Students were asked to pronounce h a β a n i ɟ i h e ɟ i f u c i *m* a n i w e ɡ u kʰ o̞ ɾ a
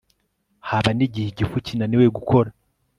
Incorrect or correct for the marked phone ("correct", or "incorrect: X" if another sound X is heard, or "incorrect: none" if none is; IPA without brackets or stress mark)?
incorrect: n